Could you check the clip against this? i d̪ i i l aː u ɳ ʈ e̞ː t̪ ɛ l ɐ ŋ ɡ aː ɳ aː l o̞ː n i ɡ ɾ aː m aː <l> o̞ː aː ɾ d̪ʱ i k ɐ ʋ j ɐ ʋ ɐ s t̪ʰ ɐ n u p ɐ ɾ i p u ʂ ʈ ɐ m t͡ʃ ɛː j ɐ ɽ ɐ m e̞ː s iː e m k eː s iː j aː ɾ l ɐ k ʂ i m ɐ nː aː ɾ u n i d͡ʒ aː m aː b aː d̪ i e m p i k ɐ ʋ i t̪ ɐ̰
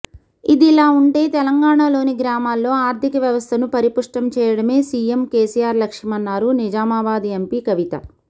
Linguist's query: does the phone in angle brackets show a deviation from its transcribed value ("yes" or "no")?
yes